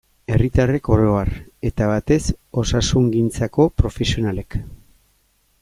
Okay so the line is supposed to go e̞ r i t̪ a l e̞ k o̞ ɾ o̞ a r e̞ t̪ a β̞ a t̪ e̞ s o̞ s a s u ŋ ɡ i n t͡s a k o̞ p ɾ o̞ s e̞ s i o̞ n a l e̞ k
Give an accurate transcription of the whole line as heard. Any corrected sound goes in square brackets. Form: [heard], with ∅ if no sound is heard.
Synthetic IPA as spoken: e̞ r i t̪ a [r] e̞ k o̞ ɾ o̞ a r e̞ t̪ a β̞ a t̪ e̞ s o̞ s a s u ŋ ɡ i n t͡s a k o̞ p ɾ o̞ [f] e̞ s i o̞ n a l e̞ k